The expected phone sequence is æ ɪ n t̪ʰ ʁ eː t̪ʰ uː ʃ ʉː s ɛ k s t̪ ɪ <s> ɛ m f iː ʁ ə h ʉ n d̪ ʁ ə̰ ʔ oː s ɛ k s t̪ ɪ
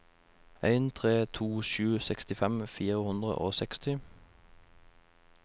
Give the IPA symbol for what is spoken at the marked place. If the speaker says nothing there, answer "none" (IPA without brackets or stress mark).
f